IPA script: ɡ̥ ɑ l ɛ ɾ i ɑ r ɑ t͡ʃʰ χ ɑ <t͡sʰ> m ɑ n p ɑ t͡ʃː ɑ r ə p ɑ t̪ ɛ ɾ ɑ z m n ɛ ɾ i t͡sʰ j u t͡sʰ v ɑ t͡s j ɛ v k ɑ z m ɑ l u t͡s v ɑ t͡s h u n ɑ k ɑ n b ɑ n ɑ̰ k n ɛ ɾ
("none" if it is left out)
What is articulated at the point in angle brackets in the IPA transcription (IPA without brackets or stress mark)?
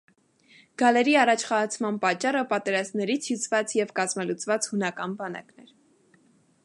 t͡sʰ